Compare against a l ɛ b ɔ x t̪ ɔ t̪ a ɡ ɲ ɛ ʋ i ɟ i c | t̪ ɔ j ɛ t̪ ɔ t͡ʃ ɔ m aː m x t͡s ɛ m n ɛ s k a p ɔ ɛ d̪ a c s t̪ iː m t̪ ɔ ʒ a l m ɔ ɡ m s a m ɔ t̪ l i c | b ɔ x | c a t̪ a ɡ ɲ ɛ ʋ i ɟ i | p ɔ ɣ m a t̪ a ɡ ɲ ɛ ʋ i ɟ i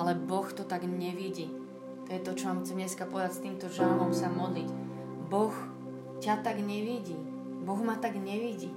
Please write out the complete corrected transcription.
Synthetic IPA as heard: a l ɛ b ɔ x t̪ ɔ t̪ a ɡ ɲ ɛ ʋ i ɟ i | t̪ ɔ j ɛ t̪ ɔ t͡ʃ ɔ m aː m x t͡s ɛ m ɲ ɛ s k a p ɔ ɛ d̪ a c s t̪ iː m t̪ ɔ ʒ a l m ɔ m s a m ɔ d̪ l i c | b ɔ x | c a t̪ a ɡ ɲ ɛ ʋ i ɟ i | b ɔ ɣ m a t̪ a ɡ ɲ ɛ ʋ i ɟ i